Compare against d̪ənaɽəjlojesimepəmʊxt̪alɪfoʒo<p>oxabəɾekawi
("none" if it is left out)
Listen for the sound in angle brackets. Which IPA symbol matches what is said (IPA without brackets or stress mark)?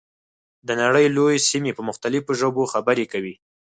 b